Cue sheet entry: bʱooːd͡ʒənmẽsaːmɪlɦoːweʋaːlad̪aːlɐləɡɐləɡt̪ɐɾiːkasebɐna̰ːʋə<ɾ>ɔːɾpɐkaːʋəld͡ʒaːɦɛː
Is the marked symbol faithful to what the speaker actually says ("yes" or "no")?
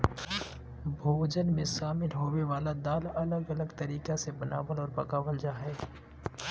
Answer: no